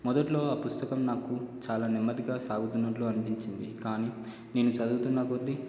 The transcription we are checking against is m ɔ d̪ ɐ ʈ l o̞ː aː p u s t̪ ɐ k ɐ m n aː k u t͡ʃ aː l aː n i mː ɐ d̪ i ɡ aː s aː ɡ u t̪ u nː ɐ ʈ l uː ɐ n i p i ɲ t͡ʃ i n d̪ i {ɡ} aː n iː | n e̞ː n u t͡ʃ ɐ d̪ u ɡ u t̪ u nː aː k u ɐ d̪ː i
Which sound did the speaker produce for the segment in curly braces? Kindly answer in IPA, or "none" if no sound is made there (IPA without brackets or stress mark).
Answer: k